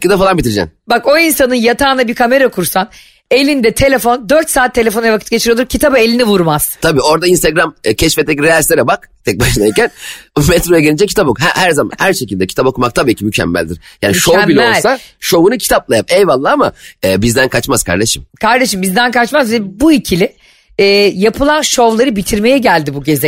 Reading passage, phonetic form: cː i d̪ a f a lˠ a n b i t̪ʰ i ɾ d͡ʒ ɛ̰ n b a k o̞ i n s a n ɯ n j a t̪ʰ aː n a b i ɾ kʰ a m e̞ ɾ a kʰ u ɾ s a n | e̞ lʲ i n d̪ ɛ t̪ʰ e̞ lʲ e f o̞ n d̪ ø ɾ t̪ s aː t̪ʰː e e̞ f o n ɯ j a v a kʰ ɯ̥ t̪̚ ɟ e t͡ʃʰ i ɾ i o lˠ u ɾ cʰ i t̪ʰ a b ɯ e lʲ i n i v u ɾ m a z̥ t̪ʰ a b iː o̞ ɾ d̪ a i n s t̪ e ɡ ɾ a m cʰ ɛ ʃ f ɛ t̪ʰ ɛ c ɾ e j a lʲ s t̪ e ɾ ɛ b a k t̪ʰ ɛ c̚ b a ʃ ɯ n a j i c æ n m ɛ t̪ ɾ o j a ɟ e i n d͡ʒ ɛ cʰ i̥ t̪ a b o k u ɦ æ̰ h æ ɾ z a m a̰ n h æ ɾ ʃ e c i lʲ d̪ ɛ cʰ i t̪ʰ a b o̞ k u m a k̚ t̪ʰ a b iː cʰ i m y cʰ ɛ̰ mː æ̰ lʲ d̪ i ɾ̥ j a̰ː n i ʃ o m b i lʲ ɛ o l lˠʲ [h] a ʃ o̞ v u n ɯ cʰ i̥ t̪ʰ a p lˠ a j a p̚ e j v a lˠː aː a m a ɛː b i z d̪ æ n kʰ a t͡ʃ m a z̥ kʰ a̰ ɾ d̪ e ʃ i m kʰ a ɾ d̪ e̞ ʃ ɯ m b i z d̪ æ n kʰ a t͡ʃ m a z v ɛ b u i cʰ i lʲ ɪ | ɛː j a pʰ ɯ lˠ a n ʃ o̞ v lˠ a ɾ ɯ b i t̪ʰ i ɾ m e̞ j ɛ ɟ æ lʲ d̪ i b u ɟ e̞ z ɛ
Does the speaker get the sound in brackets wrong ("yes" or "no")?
yes